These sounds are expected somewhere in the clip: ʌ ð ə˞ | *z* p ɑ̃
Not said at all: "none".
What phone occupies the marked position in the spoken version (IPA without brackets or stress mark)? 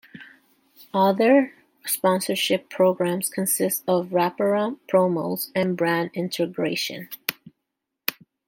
s